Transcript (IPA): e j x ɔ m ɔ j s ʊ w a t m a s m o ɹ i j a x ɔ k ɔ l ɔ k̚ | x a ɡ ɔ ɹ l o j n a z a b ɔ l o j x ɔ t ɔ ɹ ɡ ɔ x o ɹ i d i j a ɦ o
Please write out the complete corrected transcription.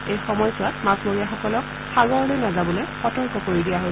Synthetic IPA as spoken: e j x ɔ m ɔ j s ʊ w a t m a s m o ɹ i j a x ɔ k ɔ l ɔ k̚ | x a ɡ ɔ ɹ l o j n a z a b ɔ l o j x ɔ t ɔ ɹ k ɔ k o ɹ i d i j a ɦ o